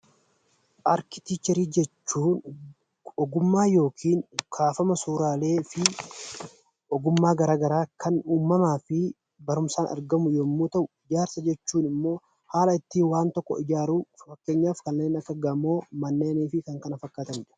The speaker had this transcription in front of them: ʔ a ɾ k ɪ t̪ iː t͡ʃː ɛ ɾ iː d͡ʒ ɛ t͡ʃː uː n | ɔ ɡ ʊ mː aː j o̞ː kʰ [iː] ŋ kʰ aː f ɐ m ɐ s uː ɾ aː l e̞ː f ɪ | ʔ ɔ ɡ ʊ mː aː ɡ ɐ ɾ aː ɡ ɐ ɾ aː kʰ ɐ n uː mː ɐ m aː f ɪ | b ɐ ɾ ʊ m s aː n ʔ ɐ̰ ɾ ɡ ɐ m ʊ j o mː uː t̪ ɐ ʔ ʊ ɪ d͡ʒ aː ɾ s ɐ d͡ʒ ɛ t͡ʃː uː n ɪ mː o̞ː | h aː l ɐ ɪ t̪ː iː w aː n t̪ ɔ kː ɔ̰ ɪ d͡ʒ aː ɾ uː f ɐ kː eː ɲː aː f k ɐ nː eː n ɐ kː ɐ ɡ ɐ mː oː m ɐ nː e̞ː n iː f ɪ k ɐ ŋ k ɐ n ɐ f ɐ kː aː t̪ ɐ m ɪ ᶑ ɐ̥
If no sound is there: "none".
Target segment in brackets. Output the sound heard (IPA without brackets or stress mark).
iː